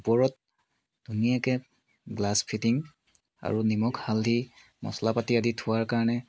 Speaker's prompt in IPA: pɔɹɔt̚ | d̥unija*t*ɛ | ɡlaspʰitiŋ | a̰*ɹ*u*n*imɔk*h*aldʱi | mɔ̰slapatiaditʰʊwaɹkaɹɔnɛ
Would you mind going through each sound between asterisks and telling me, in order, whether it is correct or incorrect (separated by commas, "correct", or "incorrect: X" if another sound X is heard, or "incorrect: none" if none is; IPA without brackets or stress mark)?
incorrect: k, correct, correct, correct